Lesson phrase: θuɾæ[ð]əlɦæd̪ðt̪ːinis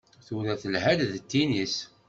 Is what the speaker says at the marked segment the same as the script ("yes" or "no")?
no